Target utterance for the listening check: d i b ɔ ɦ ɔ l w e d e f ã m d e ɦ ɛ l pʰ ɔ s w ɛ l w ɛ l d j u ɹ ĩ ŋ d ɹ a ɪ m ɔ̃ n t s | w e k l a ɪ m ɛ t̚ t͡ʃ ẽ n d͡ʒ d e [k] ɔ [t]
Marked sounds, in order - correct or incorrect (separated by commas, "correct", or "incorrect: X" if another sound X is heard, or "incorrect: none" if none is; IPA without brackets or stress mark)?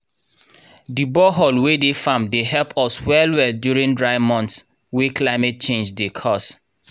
incorrect: kʰ, incorrect: s